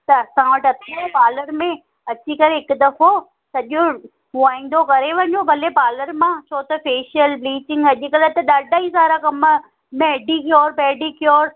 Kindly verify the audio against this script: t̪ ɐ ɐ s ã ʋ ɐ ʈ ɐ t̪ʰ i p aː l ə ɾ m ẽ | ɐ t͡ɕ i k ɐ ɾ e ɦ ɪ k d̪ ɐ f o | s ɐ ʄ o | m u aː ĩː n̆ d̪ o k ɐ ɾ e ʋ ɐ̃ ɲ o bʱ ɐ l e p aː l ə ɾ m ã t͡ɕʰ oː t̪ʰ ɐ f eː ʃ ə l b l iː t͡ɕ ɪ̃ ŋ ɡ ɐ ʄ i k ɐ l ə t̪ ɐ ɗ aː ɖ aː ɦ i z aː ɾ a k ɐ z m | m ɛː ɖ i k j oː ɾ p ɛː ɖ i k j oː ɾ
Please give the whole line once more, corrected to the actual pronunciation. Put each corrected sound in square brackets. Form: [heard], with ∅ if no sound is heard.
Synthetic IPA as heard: t̪ ɐ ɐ s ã ʋ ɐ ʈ ɐ t̪ʰ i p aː l ə ɾ m ẽ | ɐ t͡ɕ i k ɐ ɾ e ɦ ɪ k d̪ ɐ f o | s ɐ ʄ o | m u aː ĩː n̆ d̪ o k ɐ ɾ e ʋ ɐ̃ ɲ o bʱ ɐ l e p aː l ə ɾ m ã t͡ɕʰ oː [t̪] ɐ f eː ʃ ə l b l iː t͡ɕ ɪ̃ ŋ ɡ ɐ ʄ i k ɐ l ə t̪ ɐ ɗ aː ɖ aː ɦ i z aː ɾ a k ɐ [∅] m | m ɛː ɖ i k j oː ɾ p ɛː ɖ i k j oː ɾ